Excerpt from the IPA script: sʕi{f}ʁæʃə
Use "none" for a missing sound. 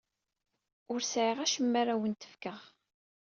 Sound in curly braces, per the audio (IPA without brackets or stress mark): none